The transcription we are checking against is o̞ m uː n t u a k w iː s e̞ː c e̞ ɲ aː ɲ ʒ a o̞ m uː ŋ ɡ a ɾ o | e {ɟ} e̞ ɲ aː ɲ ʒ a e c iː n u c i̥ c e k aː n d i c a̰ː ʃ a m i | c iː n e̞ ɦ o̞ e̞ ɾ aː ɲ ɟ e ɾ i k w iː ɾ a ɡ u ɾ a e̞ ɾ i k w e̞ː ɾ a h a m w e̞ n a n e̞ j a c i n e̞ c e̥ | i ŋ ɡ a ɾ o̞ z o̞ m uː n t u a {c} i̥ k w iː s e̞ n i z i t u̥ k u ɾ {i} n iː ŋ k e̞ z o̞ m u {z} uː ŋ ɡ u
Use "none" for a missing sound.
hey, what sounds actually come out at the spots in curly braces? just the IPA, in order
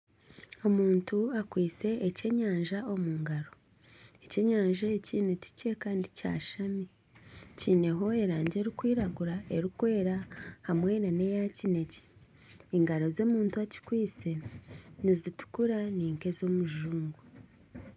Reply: c, c, a, ʒ

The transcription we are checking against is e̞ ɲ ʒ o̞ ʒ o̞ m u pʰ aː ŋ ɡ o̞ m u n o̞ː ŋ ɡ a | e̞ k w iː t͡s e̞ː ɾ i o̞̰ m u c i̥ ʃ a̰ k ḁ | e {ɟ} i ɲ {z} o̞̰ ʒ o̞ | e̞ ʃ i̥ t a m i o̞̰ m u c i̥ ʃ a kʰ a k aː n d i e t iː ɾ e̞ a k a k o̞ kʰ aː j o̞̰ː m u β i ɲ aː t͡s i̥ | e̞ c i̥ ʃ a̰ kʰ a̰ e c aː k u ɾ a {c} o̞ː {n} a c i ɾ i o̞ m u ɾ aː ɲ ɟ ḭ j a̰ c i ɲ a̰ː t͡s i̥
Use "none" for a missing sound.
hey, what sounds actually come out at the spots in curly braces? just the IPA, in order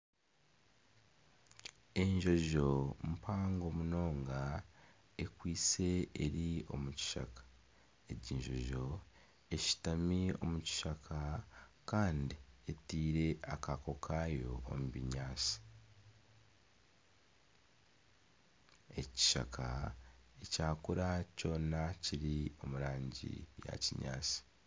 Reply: ɟ, ʒ, c, n

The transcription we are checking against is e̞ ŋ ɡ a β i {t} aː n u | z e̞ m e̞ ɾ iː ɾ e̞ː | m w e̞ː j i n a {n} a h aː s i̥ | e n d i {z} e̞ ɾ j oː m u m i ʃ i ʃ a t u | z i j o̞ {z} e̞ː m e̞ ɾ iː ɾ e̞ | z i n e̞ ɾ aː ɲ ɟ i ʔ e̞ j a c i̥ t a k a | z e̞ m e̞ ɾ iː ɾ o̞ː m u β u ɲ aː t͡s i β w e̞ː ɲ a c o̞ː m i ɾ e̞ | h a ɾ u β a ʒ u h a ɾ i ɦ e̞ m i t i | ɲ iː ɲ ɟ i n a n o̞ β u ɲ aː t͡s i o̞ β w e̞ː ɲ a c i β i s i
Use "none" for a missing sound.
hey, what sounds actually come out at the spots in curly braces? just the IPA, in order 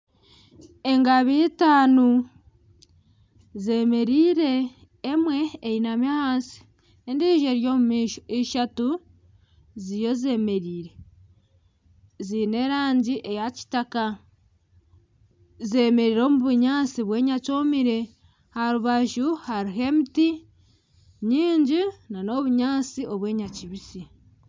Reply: t, m, ʒ, z

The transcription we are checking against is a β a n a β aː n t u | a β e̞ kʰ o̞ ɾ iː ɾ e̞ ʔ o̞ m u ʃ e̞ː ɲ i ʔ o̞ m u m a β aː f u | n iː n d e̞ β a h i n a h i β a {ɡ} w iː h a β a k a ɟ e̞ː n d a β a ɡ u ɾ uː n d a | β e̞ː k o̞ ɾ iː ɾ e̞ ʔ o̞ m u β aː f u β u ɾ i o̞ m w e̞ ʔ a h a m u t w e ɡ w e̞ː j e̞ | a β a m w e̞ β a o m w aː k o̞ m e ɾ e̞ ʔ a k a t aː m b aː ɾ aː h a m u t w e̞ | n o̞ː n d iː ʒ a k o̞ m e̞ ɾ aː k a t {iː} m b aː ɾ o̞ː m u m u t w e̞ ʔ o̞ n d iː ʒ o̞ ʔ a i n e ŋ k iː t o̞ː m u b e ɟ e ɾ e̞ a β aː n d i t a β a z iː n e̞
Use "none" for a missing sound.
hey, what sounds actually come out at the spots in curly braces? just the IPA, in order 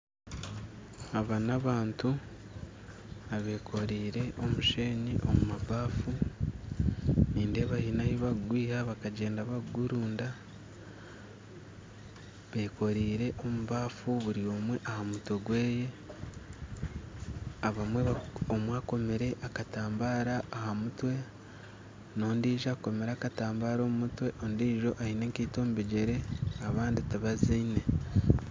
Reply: ɡ, aː

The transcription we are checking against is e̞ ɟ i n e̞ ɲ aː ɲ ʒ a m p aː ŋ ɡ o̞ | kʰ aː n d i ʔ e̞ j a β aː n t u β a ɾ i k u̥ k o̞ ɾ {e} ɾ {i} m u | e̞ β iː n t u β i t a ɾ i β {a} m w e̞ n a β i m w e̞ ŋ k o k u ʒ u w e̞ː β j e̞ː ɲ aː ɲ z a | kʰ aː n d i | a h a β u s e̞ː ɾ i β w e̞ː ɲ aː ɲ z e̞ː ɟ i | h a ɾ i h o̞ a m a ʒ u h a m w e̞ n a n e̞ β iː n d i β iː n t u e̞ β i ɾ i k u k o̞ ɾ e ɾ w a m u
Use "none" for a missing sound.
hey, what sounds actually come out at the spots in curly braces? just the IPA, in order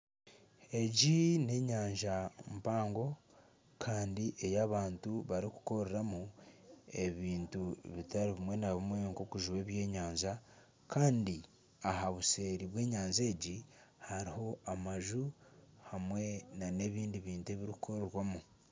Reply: e, a, i

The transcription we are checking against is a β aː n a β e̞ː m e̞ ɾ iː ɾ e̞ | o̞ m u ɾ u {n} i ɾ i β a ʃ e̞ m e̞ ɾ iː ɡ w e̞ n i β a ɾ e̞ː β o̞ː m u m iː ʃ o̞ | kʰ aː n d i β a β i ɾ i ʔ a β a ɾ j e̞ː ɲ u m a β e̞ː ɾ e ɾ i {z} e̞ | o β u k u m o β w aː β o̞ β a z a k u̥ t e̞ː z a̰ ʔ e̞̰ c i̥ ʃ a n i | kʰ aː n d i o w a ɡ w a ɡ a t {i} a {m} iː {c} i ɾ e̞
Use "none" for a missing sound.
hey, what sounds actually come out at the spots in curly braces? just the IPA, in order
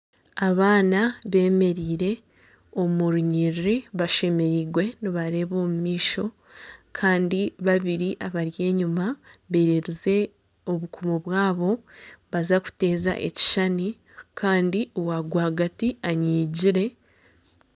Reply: ɲ, z, i, ɲ, ɟ

